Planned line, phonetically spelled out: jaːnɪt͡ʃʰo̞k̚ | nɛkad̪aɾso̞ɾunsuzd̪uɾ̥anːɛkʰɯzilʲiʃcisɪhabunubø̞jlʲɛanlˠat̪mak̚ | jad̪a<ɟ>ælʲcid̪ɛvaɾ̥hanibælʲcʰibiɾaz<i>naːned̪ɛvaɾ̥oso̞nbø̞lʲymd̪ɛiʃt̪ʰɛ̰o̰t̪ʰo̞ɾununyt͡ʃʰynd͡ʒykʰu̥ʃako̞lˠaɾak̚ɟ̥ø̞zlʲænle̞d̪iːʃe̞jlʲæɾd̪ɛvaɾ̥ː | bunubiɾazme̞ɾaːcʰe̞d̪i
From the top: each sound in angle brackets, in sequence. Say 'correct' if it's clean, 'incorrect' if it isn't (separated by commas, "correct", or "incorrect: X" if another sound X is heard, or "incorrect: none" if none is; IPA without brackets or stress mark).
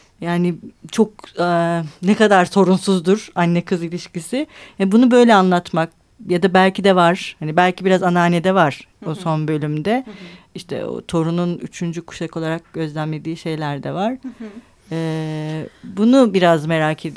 incorrect: b, incorrect: a